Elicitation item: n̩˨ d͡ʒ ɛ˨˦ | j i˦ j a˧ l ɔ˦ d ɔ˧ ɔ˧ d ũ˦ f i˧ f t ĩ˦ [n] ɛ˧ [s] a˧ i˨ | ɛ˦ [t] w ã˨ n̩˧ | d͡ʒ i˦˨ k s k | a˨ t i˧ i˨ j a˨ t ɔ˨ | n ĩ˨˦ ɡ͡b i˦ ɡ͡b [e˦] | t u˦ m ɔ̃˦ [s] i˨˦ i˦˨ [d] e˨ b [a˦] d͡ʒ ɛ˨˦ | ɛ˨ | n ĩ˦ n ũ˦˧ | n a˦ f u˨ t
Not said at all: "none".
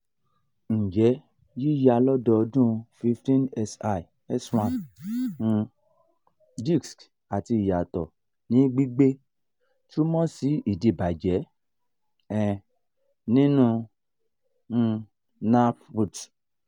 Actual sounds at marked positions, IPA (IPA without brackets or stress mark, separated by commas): n, s, s, e˦, s, d, a˨